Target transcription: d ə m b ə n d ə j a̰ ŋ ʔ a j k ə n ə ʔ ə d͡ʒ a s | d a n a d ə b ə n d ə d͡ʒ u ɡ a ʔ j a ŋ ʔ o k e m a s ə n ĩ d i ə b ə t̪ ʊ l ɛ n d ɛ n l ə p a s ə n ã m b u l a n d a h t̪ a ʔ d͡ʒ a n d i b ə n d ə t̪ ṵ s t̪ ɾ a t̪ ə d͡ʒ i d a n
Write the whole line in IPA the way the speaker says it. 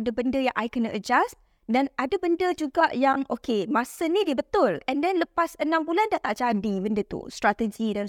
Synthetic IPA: d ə b ə n d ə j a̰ ŋ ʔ a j k ə n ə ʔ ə d͡ʒ a s | d a n a d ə b ə n d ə d͡ʒ u ɡ a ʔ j a ŋ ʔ o k e m a s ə n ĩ d i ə b ə t̪ ʊ l ɛ n d ɛ n l ə p a s ə n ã m b u l a n d a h t̪ a ʔ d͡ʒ a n d i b ə n d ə t̪ ṵ s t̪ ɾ a t̪ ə d͡ʒ i d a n